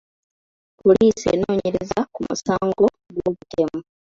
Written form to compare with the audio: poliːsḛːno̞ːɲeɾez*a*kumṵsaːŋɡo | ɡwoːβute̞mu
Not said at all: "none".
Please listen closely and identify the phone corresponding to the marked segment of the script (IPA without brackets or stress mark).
a